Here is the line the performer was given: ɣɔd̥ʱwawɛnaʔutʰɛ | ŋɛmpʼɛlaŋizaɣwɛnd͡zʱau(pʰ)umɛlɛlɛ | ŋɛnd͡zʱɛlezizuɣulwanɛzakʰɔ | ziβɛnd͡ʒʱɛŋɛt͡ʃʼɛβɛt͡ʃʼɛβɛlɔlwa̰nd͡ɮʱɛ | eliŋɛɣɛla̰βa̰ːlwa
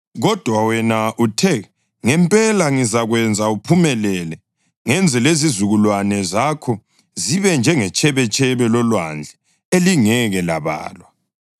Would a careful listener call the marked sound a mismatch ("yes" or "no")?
no